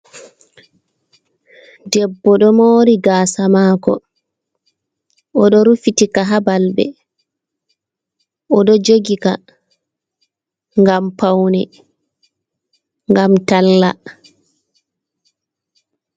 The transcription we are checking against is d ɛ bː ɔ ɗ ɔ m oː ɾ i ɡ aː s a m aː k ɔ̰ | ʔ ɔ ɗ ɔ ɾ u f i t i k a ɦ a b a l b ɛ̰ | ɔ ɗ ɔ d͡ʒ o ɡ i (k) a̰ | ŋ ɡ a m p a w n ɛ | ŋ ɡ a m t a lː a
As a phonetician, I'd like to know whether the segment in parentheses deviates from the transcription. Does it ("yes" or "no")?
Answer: no